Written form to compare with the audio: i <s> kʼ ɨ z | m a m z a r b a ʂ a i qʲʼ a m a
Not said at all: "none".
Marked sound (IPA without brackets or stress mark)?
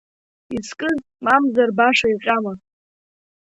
s